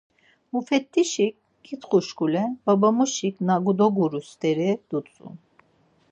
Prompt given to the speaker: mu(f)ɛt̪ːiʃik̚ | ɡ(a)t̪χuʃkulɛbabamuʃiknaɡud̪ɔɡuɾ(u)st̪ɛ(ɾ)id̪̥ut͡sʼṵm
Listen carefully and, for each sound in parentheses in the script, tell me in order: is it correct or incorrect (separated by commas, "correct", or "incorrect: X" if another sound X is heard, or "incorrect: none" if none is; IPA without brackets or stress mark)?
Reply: correct, incorrect: i, correct, correct